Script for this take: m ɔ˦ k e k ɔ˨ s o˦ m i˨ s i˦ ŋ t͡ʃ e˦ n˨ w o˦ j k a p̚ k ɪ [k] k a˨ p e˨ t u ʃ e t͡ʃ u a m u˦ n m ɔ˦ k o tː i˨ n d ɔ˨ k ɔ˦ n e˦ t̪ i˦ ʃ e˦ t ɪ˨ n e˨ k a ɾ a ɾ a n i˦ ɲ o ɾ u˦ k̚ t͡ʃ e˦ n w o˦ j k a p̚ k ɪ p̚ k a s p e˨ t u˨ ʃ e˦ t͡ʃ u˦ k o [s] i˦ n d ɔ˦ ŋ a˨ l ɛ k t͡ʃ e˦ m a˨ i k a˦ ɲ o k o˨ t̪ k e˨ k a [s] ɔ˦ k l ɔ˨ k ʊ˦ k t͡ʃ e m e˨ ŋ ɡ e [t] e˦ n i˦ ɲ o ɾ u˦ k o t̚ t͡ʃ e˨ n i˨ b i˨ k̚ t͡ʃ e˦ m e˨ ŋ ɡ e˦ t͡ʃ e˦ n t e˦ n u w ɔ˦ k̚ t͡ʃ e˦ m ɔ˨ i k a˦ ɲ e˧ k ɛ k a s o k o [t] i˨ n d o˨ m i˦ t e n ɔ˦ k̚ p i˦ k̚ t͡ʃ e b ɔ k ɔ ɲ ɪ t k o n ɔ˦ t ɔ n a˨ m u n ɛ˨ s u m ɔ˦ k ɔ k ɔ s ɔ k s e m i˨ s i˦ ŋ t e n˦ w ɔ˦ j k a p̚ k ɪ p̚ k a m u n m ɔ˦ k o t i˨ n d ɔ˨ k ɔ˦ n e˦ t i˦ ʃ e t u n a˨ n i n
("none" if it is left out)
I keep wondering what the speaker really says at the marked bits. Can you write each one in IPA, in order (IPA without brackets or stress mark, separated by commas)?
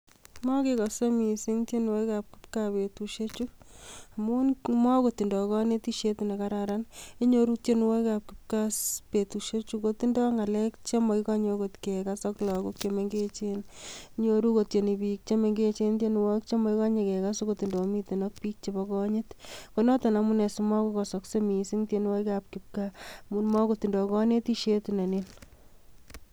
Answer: p, t, s, t͡ʃ, t